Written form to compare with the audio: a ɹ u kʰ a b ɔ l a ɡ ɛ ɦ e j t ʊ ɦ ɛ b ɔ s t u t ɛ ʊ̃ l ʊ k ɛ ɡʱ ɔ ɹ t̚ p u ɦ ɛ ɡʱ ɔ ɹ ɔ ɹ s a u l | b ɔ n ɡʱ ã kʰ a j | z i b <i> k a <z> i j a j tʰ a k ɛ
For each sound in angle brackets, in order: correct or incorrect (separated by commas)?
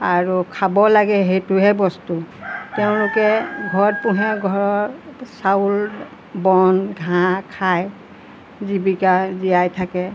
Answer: correct, correct